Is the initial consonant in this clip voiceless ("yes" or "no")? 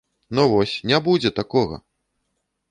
no